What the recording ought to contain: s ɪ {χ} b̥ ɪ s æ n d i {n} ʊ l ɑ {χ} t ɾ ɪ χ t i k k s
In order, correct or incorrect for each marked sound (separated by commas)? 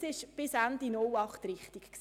incorrect, correct, correct